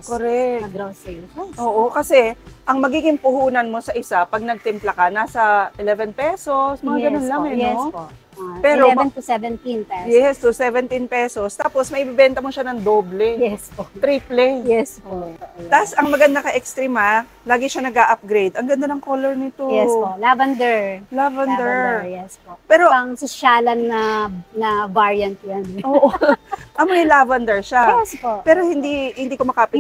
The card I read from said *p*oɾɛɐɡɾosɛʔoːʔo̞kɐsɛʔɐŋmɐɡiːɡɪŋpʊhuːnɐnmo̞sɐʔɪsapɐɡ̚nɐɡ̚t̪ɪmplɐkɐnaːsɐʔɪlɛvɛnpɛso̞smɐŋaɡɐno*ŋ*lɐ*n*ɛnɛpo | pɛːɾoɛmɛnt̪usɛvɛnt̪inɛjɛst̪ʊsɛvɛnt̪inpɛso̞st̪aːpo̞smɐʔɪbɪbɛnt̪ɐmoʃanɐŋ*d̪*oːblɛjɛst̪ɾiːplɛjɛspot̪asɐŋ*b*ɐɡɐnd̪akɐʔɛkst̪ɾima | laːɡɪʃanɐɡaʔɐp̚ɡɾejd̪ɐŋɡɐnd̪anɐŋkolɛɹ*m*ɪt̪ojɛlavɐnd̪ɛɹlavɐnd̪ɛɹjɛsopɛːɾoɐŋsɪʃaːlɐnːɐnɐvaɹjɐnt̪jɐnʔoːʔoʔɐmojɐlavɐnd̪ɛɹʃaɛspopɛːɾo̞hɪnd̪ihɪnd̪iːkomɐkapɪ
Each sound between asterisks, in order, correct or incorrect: incorrect, incorrect, incorrect, correct, incorrect, incorrect

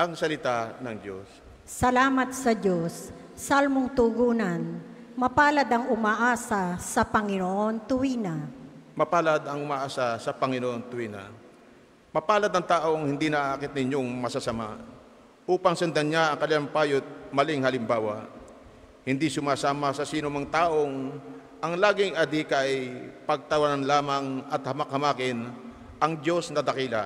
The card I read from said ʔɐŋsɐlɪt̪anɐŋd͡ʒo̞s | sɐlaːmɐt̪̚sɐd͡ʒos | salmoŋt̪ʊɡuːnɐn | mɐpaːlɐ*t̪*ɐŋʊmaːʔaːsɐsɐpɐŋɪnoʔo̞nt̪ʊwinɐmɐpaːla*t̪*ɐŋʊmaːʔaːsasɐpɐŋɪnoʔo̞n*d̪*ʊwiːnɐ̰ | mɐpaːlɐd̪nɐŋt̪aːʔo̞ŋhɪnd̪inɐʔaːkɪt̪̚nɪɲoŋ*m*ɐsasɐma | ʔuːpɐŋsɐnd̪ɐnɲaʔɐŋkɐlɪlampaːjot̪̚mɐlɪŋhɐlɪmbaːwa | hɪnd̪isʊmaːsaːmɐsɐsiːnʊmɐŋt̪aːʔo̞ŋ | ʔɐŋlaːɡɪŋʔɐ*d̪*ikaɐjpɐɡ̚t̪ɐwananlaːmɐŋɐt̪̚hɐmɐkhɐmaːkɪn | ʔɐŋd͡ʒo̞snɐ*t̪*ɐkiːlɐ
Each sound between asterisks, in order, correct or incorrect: incorrect, incorrect, incorrect, correct, correct, incorrect

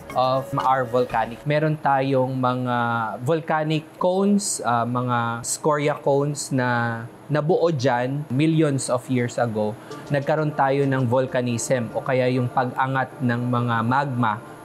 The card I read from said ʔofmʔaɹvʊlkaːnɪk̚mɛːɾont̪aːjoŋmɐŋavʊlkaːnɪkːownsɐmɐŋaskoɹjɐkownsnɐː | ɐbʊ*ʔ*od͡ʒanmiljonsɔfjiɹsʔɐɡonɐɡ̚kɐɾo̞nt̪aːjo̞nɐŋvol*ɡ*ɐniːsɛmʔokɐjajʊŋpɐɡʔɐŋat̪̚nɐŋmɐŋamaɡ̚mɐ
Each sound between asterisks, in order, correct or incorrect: correct, incorrect

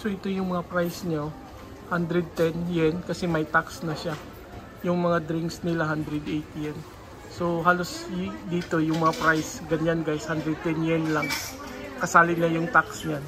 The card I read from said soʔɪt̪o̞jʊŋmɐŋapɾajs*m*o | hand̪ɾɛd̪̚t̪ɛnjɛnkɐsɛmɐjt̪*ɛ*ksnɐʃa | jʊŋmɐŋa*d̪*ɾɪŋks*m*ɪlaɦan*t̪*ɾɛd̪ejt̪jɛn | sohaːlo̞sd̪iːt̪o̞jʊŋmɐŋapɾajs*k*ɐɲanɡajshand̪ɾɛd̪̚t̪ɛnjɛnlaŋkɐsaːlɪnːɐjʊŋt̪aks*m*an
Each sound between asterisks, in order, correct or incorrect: incorrect, incorrect, correct, incorrect, incorrect, incorrect, incorrect

